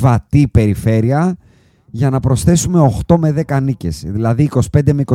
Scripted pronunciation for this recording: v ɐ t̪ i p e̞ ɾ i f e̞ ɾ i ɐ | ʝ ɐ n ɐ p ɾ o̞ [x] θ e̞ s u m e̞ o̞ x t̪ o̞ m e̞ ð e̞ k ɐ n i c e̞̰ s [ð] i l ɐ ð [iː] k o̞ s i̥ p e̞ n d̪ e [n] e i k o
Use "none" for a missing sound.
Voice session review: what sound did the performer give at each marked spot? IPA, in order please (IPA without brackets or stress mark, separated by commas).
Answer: s, ð, iː, m